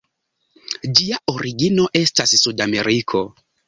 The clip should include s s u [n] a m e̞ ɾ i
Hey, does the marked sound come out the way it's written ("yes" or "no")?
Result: no